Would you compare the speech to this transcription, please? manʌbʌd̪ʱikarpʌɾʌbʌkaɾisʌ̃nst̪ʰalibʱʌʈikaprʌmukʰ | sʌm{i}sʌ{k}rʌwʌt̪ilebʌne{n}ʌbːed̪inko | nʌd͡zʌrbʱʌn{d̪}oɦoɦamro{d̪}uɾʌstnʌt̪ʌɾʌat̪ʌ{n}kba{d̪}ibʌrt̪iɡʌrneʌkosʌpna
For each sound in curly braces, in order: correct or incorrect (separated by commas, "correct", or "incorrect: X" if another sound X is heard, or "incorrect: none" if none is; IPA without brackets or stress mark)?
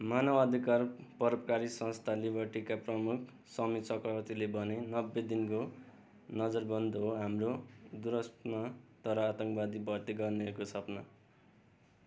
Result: correct, correct, correct, correct, correct, incorrect: ŋ, correct